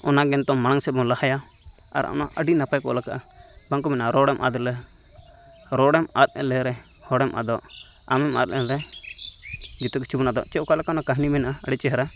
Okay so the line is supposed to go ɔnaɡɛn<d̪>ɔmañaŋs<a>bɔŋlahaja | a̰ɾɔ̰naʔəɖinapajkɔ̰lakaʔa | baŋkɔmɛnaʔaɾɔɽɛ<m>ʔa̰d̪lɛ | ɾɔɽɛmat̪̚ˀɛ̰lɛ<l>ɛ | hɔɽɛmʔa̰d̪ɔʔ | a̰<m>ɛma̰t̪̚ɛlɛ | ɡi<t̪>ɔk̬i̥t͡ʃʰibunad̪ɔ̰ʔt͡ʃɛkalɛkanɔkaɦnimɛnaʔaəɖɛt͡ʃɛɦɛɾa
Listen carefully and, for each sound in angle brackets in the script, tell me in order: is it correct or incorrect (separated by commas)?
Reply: incorrect, incorrect, correct, incorrect, correct, correct